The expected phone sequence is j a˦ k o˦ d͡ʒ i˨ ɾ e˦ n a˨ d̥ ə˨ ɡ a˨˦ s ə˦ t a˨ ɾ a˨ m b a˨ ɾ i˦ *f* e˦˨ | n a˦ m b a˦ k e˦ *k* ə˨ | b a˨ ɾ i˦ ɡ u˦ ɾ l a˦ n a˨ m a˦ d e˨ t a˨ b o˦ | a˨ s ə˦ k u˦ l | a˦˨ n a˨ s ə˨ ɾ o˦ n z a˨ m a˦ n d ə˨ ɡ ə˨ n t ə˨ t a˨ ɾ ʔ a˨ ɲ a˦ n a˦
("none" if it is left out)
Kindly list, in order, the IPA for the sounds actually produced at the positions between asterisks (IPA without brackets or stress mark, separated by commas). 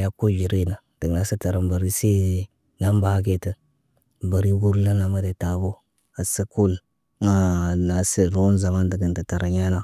s, t